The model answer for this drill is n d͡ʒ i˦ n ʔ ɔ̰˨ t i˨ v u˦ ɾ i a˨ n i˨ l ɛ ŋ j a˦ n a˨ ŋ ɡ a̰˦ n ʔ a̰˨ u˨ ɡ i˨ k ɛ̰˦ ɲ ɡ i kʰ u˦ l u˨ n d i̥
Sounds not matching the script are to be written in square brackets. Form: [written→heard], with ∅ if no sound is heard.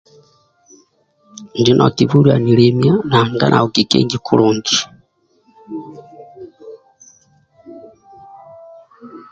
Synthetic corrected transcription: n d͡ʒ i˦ n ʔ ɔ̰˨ t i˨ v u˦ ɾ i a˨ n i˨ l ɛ [ŋ→m] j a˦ n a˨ ŋ ɡ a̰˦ n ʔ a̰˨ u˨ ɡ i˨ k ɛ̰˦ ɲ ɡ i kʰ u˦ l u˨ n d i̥